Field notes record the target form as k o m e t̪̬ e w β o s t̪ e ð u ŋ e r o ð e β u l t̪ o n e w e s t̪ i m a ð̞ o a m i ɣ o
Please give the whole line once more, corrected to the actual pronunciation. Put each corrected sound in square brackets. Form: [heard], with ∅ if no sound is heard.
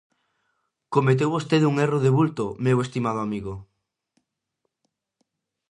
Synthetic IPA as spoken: k o m e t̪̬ e w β o s t̪ e ð u ŋ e r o ð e β u l t̪ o [m] e w e s t̪ i m a ð̞ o a m i ɣ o